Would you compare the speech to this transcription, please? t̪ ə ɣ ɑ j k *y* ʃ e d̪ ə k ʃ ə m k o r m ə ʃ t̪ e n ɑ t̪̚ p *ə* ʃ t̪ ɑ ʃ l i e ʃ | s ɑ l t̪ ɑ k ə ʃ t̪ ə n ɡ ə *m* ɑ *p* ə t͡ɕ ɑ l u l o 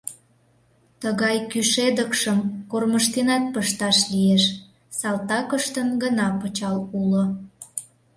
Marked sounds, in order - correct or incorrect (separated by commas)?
correct, correct, incorrect, correct